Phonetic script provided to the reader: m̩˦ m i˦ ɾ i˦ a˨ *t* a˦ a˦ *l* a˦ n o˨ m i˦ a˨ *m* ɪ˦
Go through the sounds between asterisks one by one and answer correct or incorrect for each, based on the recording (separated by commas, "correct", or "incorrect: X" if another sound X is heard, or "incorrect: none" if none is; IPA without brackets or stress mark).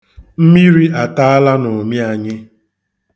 correct, correct, incorrect: ɲ